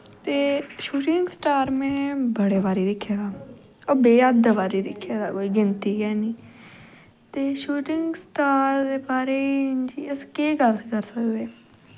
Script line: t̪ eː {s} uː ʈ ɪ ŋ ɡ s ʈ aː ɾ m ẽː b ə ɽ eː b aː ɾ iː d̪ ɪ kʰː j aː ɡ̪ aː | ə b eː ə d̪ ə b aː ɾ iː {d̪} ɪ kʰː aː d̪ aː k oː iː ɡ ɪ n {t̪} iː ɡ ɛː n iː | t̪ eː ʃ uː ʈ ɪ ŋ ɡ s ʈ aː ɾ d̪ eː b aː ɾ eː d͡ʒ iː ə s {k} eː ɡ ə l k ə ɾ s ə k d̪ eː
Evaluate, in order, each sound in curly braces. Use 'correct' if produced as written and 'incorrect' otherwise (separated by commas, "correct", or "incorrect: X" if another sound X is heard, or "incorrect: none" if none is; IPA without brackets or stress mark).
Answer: incorrect: ʃ, correct, correct, correct